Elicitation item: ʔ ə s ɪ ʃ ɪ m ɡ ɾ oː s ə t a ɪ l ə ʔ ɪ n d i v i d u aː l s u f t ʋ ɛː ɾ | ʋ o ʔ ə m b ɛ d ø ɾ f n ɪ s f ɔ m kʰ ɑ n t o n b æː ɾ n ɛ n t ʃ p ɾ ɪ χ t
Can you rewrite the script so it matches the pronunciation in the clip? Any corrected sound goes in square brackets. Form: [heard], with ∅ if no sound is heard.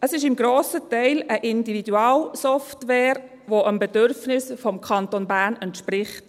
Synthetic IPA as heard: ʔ ə s ɪ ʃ ɪ m ɡ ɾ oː s ə t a ɪ l ə ʔ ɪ n d i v i d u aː l s [ɔ] f t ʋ ɛː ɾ | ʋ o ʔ ə m b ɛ d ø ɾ f n ɪ s f ɔ m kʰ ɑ n t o n b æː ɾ n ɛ n t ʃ p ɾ ɪ χ t

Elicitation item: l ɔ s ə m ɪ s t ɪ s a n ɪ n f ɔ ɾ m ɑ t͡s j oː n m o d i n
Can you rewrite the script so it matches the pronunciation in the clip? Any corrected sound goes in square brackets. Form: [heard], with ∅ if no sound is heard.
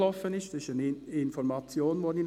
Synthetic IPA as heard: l ɔ [f] ə [n] ɪ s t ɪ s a n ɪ n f ɔ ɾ m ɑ t͡s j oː n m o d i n

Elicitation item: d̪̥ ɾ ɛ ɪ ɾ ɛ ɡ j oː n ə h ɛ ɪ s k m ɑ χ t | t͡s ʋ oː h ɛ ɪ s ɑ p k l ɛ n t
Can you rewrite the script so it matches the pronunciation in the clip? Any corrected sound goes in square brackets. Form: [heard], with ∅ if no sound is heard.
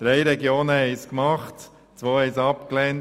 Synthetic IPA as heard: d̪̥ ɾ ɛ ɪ ɾ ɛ ɡ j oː n ə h ɛ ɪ s k m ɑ χ t | t͡s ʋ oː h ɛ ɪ s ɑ p k l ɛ n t

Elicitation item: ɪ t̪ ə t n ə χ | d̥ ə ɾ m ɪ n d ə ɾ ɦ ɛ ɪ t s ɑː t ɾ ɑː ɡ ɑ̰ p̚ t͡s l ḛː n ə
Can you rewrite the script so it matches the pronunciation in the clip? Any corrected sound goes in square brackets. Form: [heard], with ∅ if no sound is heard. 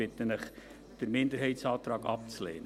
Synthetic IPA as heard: ɪ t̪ ə [∅] n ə χ | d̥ ə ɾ m ɪ n d ə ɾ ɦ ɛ ɪ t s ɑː t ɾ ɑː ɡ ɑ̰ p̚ t͡s l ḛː n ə

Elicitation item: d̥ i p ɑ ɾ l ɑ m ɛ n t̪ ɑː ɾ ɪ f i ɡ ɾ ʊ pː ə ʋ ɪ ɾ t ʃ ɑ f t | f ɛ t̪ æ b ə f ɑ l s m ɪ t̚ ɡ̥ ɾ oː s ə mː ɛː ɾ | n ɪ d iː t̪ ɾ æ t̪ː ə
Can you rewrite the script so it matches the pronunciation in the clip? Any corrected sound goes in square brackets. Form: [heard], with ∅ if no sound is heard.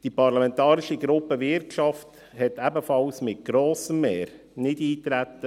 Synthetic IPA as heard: d̥ i p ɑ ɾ l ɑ m ɛ n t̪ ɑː ɾ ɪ [ʃ] i ɡ ɾ ʊ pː ə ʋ ɪ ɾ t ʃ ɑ f t | [h] ɛ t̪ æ b ə f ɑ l s m ɪ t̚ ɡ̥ ɾ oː s ə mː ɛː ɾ | n ɪ d iː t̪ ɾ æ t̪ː ə

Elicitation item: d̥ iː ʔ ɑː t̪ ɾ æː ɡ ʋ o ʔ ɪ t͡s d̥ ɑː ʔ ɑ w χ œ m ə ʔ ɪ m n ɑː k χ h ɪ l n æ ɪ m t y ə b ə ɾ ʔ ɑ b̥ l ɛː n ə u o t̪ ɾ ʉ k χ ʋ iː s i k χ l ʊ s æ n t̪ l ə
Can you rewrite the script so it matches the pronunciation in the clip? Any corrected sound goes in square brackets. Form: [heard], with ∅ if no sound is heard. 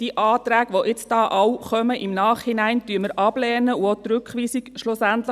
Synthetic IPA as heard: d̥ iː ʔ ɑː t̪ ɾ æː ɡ ʋ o ʔ ɪ t͡s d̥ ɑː ʔ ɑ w χ œ m ə ʔ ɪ m n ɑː [∅] χ h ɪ [∅] n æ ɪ [n] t y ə [m] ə ɾ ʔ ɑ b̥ l ɛː n ə u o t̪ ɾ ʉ k χ ʋ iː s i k [ʃ] l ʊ s æ n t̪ l ə

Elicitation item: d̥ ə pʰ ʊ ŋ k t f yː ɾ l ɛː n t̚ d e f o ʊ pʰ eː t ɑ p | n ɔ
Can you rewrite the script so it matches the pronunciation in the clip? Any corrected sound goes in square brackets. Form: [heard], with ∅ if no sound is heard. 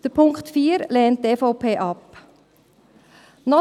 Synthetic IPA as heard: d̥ ə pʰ ʊ ŋ k t f [iː] ɾ l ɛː n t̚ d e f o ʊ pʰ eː [ʔ] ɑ p | n ɔ

